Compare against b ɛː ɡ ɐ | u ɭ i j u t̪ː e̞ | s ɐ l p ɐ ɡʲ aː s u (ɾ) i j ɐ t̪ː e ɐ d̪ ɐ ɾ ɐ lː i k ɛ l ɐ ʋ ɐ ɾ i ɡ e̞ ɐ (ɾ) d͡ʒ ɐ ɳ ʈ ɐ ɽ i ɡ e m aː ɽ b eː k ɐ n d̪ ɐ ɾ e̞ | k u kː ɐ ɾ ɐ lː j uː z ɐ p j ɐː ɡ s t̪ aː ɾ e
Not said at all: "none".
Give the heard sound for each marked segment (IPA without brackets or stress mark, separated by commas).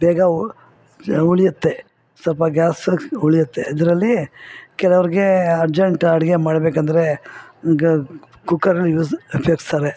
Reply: ɭ, ɾ